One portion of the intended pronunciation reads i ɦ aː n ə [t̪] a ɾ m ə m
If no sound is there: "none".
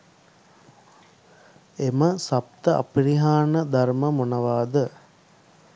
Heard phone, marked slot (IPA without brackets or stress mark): d̪